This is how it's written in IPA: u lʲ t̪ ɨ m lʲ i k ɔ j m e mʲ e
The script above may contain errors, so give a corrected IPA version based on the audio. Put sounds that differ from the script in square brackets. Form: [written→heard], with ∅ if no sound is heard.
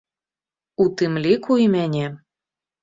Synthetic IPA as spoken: u [lʲ→∅] t̪ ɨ m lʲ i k [ɔ→u] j m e [mʲ→nʲ] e